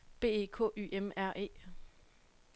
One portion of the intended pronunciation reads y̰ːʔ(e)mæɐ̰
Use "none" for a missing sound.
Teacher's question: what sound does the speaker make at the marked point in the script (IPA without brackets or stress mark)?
e